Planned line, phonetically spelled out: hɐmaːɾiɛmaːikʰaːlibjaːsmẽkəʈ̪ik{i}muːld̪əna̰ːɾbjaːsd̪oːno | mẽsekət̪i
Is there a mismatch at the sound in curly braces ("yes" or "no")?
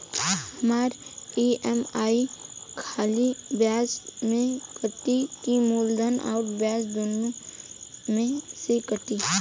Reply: no